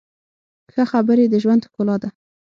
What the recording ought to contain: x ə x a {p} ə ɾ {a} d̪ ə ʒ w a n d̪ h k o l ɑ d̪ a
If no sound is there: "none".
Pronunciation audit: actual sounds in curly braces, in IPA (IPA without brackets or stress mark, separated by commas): b, e